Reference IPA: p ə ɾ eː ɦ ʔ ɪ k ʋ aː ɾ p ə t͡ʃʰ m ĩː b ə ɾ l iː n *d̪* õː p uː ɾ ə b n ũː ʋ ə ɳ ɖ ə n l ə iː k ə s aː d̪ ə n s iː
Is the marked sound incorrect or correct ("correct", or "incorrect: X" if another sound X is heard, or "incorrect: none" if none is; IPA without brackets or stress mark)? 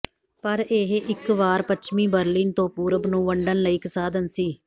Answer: incorrect: t̪